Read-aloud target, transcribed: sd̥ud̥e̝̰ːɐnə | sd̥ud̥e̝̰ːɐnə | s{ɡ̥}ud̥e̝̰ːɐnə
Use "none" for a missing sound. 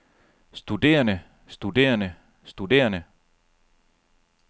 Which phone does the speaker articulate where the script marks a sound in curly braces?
d̥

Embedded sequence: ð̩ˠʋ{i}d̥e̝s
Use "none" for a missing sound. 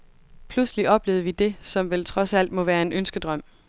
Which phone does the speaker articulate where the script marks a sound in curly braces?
i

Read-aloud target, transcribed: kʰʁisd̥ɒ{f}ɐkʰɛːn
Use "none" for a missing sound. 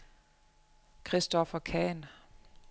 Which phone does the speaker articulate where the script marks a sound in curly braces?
f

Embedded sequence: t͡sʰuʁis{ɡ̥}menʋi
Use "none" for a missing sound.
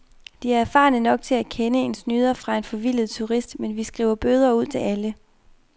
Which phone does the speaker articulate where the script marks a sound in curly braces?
d̥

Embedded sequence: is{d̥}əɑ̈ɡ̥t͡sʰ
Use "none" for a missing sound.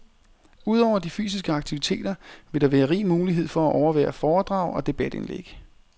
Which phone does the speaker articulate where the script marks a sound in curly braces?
ɡ̥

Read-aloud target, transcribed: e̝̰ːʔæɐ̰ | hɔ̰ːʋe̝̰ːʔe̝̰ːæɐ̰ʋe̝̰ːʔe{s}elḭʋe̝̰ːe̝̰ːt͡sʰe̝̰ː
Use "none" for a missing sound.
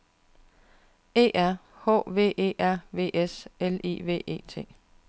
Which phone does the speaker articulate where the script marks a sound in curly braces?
s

